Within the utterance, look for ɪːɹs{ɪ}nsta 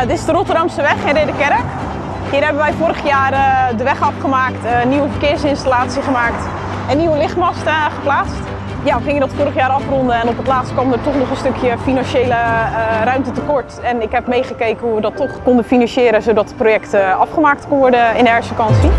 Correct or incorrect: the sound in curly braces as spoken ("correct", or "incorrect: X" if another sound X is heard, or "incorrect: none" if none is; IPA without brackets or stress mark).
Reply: correct